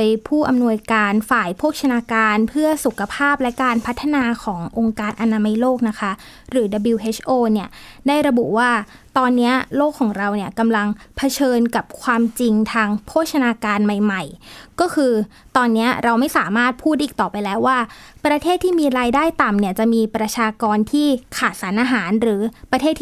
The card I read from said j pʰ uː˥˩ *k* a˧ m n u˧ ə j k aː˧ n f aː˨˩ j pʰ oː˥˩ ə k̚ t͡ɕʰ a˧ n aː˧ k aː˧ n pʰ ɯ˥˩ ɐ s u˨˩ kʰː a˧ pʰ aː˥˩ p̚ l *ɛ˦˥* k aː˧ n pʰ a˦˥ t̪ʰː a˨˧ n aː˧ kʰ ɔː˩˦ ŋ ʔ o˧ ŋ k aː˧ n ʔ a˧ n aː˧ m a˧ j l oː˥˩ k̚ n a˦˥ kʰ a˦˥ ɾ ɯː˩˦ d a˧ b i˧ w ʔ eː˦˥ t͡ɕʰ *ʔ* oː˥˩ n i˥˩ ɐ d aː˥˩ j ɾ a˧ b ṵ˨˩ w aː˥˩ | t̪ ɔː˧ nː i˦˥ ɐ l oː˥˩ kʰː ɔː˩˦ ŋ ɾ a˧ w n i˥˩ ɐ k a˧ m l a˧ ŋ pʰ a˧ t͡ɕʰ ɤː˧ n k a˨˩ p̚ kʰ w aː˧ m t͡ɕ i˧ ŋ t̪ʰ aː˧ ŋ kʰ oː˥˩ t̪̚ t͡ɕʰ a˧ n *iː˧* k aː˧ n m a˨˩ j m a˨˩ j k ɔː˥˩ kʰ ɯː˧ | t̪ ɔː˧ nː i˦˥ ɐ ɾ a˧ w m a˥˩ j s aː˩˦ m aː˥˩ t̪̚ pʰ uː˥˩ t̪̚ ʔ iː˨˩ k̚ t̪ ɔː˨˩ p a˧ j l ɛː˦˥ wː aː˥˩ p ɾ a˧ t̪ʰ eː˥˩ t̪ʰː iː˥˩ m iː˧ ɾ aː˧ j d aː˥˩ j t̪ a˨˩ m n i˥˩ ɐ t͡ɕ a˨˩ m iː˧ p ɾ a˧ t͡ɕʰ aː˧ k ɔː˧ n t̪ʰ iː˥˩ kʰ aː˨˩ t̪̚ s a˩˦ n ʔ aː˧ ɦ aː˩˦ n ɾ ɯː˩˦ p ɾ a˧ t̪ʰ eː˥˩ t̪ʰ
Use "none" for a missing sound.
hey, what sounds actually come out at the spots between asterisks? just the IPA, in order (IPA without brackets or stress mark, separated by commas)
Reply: ʔ, ɛ˦˥, ʔ, aː˧